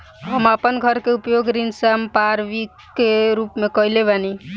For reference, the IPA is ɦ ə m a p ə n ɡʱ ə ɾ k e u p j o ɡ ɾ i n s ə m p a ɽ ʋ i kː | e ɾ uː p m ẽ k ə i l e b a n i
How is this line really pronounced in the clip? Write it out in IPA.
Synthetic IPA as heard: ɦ ə m a p ə n ɡʱ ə ɾ k e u p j o ɡ ɾ i n s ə m p a ɾ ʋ i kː | e ɾ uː p m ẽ k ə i l e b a n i